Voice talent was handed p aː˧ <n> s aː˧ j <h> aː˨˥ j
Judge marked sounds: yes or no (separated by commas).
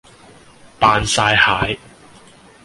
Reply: yes, yes